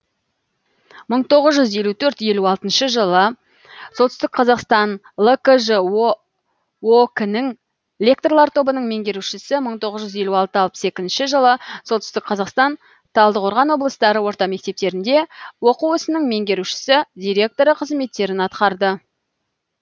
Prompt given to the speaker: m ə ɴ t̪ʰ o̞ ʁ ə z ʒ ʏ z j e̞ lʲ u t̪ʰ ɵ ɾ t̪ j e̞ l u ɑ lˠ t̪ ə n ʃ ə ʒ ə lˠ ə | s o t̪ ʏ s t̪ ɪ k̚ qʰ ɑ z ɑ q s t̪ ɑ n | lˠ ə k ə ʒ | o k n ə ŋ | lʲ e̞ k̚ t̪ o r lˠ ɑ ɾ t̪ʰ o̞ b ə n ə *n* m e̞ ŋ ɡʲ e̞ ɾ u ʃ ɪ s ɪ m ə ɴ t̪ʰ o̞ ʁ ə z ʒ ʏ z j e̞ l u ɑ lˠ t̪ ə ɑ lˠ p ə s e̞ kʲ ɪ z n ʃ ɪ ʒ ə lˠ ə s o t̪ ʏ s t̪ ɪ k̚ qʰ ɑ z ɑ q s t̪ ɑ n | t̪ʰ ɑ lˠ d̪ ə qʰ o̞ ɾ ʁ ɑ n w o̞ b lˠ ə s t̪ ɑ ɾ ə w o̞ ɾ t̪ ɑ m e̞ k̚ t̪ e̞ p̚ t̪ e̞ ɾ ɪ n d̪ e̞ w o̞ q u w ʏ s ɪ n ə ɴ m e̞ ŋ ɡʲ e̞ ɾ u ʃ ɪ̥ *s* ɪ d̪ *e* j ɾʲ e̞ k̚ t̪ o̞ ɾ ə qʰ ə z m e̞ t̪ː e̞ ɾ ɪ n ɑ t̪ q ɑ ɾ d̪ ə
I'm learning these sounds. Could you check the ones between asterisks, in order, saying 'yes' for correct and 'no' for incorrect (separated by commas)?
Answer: no, yes, no